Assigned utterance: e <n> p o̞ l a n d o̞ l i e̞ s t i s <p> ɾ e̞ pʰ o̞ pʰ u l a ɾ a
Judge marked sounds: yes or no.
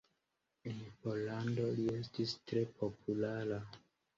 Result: yes, no

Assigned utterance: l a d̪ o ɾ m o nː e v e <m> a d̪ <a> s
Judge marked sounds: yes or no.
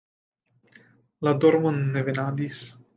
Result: no, no

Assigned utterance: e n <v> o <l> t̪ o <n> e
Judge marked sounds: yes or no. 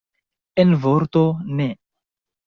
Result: yes, no, yes

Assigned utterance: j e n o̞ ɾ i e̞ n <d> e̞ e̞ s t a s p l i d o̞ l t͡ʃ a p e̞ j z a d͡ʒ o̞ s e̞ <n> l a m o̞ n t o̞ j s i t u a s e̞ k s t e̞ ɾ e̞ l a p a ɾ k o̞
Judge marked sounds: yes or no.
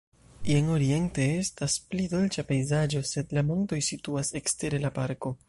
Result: no, no

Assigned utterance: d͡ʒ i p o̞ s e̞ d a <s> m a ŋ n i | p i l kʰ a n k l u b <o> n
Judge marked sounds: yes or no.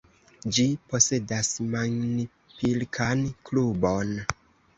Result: yes, yes

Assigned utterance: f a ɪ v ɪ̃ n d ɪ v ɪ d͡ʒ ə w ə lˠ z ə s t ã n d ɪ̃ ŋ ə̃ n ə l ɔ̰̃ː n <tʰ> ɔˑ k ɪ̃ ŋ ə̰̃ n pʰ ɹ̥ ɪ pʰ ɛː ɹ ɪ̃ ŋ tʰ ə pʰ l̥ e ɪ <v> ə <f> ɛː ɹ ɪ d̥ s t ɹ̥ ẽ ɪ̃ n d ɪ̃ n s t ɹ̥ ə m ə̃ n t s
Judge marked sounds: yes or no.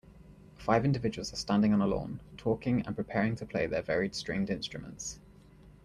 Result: yes, no, no

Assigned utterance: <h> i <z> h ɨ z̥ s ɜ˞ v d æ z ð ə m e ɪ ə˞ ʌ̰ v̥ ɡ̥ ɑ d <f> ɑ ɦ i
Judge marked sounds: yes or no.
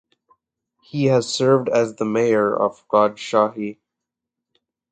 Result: yes, no, no

